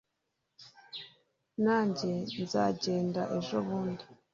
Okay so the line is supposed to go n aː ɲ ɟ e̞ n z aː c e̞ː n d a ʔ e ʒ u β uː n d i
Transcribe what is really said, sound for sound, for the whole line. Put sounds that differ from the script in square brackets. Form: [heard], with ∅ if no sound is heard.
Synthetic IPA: n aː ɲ ɟ e̞ n z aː [ɟ] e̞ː n d a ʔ e ʒ [o] β uː n d i

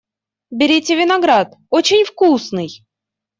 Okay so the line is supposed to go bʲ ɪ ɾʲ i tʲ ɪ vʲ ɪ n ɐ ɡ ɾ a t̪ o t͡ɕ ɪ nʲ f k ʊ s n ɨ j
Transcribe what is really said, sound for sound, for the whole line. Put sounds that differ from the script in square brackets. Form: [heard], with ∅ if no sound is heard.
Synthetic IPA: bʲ ɪ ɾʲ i tʲ ɪ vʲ ɪ n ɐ ɡ ɾ a t̪ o t͡ɕ ɪ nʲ f k [u] s n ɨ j

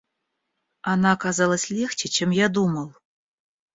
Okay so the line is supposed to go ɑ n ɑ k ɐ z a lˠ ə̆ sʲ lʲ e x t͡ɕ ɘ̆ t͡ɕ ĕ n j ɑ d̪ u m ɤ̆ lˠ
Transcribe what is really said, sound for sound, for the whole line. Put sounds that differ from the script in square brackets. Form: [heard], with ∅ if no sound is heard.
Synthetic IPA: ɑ n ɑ k [ɑ] z [ɑ] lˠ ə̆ sʲ lʲ e x t͡ɕ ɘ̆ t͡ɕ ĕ [m] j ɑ d̪ u m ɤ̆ lˠ

